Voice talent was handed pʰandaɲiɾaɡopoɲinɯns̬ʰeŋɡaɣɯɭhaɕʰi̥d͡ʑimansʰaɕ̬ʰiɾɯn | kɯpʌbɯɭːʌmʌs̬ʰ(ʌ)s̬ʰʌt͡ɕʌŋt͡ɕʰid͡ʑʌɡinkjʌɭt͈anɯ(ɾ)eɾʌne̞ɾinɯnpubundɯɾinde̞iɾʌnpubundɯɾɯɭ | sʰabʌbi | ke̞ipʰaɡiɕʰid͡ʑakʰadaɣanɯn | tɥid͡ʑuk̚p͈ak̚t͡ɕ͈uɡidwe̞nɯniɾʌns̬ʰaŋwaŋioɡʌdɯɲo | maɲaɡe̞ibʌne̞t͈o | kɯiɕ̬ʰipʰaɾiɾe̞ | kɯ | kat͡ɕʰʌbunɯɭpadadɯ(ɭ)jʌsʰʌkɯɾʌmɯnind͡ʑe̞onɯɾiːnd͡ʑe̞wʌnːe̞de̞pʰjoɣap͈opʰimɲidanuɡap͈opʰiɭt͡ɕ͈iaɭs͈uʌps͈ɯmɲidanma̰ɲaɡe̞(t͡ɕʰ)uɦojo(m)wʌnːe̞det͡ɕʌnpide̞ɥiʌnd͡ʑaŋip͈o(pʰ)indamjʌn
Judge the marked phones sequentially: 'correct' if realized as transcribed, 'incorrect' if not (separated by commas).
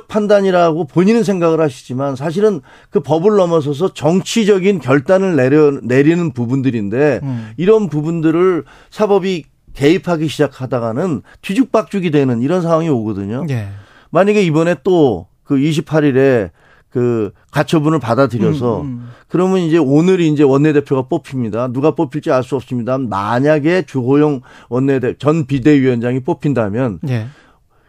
correct, incorrect, incorrect, incorrect, incorrect, correct